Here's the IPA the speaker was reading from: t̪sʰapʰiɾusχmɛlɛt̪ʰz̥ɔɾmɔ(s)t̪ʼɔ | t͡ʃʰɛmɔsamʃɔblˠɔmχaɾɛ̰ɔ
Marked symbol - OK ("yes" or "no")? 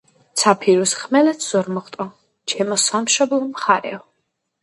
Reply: no